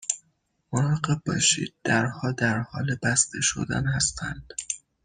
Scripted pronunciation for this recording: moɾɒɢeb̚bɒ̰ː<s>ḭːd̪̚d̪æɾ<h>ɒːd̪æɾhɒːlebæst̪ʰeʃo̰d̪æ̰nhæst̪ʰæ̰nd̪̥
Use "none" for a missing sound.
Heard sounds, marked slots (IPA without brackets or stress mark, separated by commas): ʃ, h